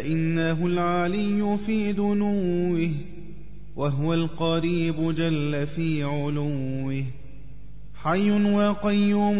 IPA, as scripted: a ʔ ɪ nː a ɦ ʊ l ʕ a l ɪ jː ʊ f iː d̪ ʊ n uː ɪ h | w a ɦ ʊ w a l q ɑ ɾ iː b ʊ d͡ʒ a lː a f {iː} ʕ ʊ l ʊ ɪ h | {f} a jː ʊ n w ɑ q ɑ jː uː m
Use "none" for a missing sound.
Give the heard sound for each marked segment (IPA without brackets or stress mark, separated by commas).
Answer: iː, ħ